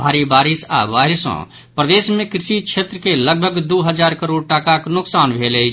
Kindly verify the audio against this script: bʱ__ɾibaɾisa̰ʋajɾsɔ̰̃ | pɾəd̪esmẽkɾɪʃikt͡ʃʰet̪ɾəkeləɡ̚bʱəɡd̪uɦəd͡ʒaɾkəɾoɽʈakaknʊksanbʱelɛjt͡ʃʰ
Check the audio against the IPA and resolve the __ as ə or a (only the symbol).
a